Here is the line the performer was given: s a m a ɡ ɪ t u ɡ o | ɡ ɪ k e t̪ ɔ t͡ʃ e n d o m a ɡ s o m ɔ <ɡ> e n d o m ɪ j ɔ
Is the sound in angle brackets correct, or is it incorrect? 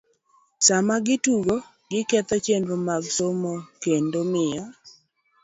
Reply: incorrect